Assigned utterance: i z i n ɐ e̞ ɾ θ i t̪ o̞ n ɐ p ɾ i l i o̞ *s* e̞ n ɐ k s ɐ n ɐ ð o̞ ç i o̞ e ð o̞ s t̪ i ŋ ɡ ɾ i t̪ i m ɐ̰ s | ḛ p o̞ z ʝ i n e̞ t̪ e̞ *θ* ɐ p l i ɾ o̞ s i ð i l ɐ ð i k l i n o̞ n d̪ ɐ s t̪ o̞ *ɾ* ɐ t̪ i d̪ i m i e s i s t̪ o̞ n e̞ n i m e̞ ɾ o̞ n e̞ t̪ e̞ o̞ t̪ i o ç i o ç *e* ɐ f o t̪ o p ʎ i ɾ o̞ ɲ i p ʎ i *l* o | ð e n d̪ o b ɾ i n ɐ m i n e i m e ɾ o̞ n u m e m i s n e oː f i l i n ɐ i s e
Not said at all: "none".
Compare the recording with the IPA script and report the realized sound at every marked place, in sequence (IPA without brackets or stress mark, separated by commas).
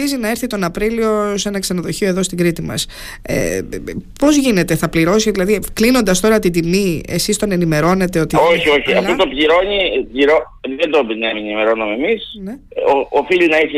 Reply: s, θ, ɾ, i, ɾ